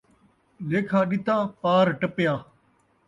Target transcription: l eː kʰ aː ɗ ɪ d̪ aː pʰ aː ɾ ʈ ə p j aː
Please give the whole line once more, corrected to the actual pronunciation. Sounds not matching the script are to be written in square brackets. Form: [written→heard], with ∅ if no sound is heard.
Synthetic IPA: l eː kʰ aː ɗ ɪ [d̪→t̪] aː [pʰ→p] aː ɾ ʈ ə p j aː